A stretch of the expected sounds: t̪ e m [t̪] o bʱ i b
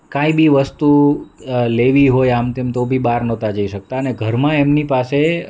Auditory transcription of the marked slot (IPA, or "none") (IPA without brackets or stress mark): t̪